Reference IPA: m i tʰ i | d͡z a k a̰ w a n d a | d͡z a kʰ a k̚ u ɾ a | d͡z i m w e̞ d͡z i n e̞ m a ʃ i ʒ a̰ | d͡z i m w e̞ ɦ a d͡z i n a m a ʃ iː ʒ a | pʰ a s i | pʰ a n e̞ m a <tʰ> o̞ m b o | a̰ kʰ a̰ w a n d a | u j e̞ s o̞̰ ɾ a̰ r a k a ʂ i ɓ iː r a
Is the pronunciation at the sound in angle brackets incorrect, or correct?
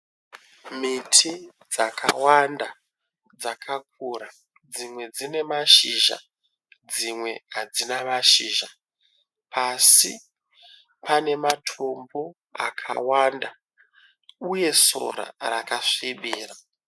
correct